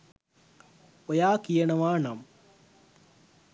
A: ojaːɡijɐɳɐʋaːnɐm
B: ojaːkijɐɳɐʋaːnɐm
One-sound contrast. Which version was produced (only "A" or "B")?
B